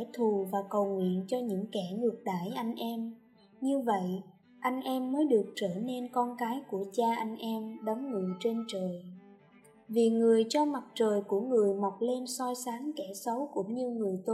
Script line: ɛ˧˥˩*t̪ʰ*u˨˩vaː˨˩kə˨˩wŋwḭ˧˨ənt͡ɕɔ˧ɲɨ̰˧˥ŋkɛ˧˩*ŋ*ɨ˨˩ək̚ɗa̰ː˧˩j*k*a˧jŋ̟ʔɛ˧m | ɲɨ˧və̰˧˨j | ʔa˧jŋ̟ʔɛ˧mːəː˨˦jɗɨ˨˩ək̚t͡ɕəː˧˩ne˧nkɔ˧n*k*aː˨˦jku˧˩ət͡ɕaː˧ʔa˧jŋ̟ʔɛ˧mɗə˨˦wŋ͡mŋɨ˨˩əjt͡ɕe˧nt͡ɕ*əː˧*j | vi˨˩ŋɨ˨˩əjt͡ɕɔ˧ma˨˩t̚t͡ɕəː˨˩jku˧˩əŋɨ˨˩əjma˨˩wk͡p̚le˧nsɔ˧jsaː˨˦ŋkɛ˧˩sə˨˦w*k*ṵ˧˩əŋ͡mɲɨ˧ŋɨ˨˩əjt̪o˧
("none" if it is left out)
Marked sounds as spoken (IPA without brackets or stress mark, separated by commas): t̪ʰ, ŋ, ʔ, k, əː˨˩, k